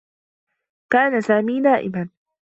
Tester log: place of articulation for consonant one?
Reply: velar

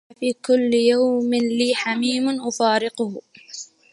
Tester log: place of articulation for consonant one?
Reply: labial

